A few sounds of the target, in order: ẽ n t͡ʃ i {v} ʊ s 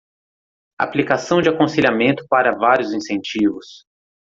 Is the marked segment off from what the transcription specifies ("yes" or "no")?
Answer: no